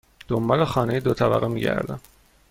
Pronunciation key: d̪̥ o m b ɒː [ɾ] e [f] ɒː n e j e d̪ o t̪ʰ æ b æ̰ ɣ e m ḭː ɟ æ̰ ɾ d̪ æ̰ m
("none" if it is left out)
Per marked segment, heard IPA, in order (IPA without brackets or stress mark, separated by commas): l, x